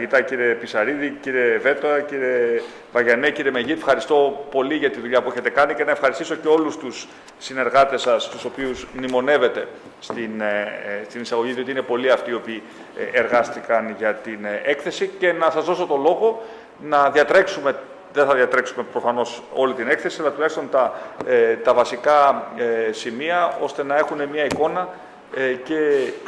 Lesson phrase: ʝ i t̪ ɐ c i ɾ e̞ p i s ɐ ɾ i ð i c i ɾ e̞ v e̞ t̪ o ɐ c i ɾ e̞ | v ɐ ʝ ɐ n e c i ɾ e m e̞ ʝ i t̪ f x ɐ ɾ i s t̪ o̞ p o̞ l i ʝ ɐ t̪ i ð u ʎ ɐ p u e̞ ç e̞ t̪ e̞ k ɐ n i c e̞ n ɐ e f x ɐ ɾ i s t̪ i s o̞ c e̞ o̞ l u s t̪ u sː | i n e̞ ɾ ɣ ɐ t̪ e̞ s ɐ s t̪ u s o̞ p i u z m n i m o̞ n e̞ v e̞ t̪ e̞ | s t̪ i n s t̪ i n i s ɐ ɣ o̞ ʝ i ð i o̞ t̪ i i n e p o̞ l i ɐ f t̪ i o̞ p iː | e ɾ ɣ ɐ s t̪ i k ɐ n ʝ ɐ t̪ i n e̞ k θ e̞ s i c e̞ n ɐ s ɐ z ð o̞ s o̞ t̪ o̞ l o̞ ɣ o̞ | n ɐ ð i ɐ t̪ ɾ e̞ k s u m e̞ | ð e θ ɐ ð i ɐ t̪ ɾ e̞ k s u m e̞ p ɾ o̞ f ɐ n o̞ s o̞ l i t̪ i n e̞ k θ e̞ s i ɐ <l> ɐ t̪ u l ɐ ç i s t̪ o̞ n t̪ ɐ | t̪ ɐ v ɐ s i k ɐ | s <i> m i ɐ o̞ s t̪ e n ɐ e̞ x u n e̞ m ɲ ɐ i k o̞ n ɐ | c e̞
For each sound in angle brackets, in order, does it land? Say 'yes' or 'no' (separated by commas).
yes, yes